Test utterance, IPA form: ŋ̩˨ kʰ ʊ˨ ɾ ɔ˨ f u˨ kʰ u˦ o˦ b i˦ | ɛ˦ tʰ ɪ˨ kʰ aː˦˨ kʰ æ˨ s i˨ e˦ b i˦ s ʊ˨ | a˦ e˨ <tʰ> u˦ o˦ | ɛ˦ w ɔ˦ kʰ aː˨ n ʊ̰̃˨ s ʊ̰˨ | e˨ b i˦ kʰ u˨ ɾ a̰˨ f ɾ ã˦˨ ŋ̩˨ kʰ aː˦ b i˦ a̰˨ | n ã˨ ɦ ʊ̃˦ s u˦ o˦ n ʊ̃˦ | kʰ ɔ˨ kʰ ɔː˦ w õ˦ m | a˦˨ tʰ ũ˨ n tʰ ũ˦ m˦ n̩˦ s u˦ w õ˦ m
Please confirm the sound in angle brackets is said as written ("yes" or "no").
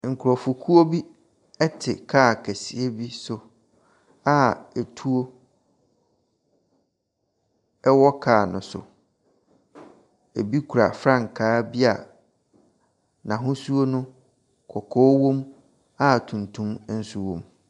yes